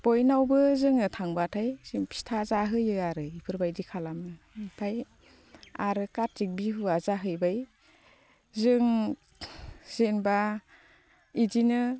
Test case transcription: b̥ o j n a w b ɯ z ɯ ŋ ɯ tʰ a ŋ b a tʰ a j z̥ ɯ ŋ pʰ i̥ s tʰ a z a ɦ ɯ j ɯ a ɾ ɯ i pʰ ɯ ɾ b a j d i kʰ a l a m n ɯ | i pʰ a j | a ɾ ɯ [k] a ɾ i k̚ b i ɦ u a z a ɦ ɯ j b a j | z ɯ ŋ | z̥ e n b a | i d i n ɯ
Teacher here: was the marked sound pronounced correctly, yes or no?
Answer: yes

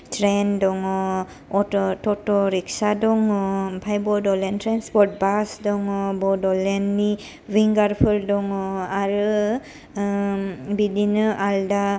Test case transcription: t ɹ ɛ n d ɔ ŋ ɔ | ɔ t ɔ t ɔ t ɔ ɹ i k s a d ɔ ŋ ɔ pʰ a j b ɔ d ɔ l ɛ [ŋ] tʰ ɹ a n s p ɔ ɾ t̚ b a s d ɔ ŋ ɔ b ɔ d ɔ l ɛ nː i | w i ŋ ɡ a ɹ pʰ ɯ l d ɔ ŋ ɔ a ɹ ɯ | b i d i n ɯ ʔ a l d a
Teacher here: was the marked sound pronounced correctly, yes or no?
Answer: no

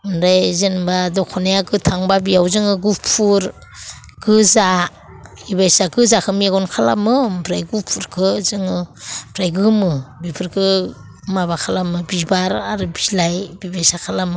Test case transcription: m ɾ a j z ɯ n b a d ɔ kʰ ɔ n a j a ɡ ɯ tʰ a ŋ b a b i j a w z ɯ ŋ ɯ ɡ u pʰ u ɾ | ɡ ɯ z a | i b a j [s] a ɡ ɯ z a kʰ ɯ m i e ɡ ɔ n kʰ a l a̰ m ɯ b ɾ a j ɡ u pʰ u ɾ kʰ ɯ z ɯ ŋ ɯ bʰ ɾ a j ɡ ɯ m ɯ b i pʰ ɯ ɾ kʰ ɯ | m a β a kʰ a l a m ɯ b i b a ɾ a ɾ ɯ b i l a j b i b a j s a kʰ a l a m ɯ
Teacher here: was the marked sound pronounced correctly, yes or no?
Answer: yes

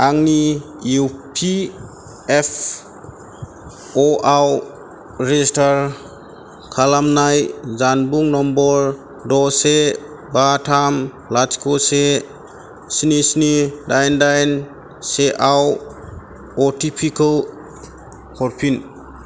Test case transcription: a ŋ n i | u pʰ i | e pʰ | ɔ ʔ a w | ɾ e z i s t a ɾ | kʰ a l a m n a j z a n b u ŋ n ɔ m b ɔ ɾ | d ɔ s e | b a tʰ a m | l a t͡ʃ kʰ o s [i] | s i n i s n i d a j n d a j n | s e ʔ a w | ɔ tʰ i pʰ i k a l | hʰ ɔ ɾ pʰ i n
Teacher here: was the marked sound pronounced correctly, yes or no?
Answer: no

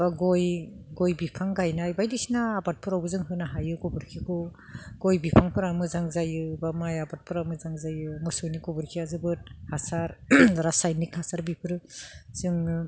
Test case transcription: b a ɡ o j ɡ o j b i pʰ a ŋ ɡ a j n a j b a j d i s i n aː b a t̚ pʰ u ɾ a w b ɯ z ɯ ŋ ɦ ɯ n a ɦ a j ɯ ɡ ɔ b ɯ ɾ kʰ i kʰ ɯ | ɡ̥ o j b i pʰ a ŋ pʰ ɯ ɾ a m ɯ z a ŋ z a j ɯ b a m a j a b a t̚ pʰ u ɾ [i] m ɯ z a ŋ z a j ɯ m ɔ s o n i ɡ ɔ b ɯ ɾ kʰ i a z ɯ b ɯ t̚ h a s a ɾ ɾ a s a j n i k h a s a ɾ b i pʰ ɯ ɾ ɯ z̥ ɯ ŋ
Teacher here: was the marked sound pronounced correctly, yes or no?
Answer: no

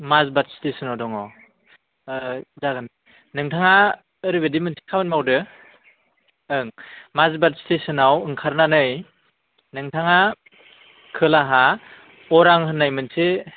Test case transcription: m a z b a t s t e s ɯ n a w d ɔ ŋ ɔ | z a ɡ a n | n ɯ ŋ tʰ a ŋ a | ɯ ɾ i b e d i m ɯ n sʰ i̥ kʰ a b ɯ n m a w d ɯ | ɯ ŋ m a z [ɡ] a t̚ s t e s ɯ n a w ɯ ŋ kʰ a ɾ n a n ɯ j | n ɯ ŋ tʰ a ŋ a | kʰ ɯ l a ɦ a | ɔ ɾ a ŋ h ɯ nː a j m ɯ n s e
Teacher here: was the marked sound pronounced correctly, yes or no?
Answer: no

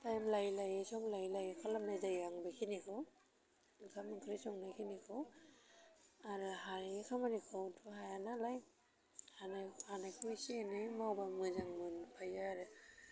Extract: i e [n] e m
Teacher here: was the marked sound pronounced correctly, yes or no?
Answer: yes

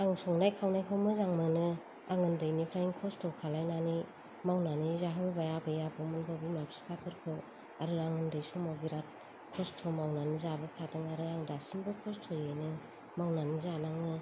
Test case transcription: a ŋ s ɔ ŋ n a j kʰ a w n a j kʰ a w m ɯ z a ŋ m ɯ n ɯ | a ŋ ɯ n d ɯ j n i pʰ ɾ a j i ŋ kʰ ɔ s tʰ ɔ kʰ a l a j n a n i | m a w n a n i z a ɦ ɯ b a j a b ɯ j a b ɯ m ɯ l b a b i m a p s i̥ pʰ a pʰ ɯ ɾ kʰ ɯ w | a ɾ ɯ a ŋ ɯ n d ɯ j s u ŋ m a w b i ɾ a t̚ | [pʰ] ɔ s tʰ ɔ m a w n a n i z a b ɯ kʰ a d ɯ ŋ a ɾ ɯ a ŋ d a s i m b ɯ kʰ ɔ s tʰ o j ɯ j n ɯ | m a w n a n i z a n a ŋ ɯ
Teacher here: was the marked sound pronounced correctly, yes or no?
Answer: no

